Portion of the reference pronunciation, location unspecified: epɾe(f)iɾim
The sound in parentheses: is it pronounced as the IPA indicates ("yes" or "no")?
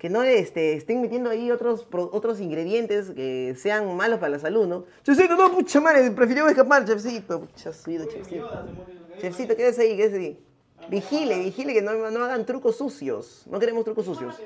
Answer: yes